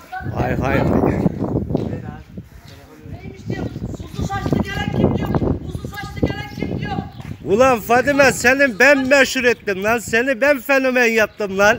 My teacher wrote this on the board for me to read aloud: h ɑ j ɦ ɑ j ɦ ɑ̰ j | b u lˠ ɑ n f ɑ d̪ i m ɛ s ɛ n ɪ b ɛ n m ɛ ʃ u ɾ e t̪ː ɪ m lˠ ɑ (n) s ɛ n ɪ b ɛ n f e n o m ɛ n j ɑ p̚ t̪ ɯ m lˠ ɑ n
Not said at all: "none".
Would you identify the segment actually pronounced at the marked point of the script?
n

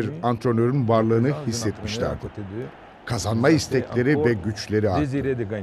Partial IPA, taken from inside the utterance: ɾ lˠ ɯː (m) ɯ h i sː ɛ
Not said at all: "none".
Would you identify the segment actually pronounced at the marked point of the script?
n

